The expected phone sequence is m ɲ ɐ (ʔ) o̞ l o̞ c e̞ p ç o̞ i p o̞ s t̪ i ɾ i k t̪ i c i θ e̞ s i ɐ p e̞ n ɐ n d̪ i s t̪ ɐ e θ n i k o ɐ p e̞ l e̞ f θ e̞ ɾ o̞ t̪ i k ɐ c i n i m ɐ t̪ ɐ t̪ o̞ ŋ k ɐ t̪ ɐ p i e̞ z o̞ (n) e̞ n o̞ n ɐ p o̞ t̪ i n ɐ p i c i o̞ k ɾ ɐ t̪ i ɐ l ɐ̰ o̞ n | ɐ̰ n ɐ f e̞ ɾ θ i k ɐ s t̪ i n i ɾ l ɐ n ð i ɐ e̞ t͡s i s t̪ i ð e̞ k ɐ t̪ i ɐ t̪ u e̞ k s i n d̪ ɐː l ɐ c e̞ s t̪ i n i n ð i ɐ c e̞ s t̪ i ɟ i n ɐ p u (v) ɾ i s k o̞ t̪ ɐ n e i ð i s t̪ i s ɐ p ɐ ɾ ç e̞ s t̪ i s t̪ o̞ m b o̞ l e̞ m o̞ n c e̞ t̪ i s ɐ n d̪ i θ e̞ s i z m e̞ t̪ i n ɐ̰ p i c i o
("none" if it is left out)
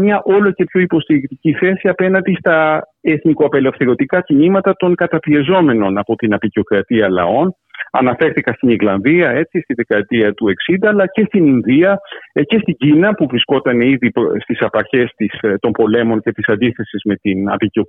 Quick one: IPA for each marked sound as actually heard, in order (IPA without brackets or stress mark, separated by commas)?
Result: ʔ, m, v